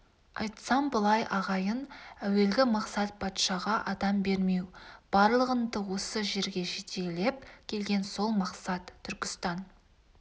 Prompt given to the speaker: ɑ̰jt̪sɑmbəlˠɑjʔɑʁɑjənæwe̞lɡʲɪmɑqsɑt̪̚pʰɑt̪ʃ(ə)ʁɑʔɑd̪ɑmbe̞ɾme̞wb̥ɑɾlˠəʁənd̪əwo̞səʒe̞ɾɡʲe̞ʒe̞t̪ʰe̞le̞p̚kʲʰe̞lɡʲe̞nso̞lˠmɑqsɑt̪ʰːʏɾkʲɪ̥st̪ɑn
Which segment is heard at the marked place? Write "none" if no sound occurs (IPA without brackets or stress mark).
ɑ